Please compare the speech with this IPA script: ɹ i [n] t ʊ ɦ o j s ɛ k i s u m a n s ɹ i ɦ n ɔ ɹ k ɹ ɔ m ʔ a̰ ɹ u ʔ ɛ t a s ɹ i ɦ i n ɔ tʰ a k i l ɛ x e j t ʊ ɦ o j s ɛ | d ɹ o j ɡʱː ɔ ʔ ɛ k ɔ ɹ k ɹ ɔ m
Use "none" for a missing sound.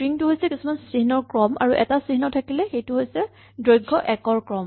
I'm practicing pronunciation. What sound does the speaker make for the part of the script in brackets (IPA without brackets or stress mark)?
ŋ